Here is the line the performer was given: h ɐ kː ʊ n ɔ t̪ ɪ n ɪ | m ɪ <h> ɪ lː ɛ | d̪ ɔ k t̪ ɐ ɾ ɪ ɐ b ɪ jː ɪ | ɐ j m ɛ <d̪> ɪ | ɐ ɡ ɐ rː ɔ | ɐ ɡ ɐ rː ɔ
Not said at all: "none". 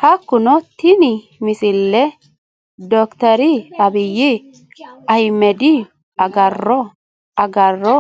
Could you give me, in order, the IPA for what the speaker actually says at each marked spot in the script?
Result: s, d̪

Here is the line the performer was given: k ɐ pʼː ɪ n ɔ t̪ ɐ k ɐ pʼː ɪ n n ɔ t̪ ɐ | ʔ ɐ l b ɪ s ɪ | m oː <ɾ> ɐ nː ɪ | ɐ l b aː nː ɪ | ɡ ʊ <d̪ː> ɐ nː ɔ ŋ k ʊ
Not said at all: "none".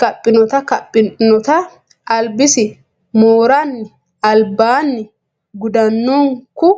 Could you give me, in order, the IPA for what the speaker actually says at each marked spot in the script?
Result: ɾ, d̪

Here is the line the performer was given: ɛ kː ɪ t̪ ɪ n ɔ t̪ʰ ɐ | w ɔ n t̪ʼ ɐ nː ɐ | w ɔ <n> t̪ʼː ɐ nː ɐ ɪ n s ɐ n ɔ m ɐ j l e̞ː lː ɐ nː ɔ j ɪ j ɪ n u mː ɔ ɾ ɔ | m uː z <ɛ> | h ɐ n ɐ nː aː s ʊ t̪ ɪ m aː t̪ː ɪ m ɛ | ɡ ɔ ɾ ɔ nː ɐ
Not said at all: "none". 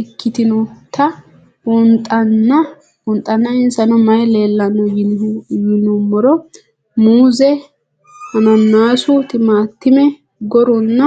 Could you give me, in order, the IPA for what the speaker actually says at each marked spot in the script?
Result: n, ɛ

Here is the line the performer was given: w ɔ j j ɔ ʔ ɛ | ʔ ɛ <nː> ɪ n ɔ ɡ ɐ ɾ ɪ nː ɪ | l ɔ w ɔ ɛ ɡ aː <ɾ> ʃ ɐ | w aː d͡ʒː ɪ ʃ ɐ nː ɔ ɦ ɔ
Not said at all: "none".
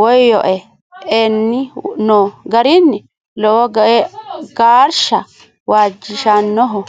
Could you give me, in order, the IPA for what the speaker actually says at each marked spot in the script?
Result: nː, ɾ

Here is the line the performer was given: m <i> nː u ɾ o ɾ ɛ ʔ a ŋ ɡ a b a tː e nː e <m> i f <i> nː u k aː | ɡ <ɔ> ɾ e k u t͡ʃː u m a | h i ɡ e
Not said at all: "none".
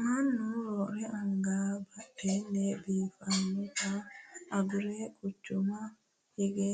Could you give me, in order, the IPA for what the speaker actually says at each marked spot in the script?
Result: a, b, a, u

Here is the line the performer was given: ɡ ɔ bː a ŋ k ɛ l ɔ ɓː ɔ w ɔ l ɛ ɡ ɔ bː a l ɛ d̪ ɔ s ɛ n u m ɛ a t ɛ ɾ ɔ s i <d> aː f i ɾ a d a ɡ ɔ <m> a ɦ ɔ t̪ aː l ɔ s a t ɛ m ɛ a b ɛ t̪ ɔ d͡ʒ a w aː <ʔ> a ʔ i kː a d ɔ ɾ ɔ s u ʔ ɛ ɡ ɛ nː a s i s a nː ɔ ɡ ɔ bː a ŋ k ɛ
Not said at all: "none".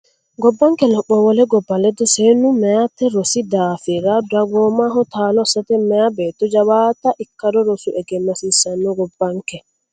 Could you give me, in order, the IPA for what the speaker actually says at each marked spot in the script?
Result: d, m, t

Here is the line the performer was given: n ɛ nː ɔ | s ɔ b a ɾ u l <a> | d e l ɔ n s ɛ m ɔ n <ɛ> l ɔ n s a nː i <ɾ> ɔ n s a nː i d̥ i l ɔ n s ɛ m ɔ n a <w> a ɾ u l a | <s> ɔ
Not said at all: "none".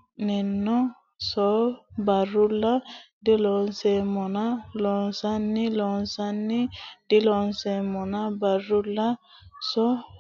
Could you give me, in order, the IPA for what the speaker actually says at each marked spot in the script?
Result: a, a, l, b, s

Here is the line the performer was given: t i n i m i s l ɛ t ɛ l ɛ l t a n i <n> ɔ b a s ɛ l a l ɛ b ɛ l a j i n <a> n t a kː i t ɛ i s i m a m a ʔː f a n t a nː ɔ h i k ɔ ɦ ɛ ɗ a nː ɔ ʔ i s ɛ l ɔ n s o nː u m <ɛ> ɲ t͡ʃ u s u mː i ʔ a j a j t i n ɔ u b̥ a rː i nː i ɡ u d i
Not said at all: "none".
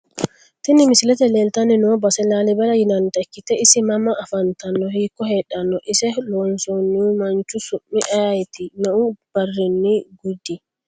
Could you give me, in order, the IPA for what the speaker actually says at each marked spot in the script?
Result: n, a, a

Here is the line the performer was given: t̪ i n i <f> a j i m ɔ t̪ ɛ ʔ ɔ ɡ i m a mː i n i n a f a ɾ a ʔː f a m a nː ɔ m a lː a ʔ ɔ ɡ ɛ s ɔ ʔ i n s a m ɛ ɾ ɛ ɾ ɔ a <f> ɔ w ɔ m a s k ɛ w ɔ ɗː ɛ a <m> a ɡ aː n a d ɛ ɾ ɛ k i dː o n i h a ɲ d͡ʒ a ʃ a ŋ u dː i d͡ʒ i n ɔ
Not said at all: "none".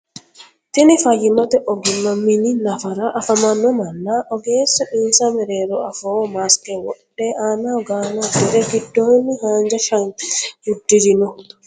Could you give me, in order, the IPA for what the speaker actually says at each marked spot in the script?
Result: f, f, n

